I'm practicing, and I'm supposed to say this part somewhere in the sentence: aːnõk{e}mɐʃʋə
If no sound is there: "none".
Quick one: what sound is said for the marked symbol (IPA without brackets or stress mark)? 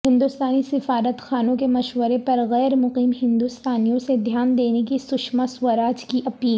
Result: e